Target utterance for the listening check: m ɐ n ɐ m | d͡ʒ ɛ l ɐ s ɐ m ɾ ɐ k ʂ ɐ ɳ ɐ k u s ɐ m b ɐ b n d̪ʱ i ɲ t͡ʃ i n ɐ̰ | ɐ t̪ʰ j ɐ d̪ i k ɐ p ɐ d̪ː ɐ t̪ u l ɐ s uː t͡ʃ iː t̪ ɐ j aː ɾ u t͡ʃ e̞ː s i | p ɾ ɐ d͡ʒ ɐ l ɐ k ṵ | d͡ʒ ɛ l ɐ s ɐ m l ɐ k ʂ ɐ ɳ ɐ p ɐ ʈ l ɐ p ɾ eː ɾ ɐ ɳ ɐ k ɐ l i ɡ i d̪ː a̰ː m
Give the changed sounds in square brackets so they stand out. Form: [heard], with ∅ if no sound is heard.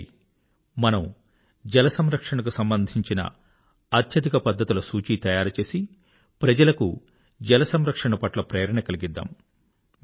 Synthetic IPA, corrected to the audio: m ɐ n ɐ m | d͡ʒ ɛ l ɐ s ɐ m ɾ ɐ k ʂ ɐ ɳ ɐ k u s ɐ m b ɐ [∅] n d̪ʱ i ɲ t͡ʃ i n ɐ̰ | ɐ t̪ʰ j ɐ d̪ i k ɐ p ɐ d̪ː ɐ t̪ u l ɐ s uː t͡ʃ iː t̪ ɐ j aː ɾ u t͡ʃ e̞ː s i | p ɾ ɐ d͡ʒ ɐ l ɐ k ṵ | d͡ʒ ɛ l ɐ s ɐ m [ɾ] ɐ k ʂ ɐ ɳ ɐ p ɐ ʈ l ɐ p ɾ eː ɾ ɐ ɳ ɐ k ɐ l i ɡ i d̪ː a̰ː m